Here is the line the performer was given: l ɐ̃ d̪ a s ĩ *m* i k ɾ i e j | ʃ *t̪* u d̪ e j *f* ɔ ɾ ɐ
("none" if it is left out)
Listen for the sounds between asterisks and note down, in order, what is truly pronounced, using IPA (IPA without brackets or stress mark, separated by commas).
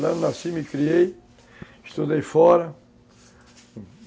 m, t̪, f